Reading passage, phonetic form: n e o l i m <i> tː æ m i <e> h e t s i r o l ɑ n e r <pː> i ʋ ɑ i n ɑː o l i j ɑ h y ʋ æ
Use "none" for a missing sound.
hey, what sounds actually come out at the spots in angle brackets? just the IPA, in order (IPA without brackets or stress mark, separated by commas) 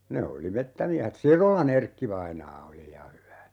e, æ, kː